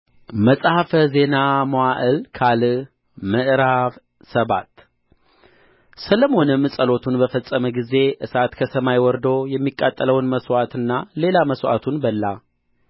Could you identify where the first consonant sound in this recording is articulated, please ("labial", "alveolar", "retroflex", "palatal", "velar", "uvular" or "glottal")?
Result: labial